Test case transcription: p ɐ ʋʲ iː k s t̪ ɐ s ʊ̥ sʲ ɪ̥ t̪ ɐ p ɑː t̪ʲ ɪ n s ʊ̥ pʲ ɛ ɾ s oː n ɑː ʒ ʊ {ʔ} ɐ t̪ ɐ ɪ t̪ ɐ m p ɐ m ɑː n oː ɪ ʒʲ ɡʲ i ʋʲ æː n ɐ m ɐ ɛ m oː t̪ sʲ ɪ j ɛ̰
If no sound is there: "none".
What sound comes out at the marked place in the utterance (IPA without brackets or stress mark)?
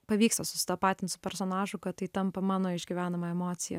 k